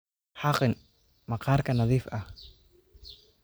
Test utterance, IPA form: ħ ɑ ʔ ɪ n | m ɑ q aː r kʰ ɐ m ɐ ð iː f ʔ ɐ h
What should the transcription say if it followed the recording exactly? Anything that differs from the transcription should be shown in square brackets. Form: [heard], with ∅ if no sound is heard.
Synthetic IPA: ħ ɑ [q] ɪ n | m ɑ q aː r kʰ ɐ [n] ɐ ð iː f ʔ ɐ h